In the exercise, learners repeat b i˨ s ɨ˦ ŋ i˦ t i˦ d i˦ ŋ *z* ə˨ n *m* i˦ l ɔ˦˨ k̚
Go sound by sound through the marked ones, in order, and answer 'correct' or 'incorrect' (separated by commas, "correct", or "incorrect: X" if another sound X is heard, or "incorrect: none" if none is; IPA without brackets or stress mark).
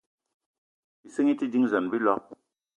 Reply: correct, incorrect: b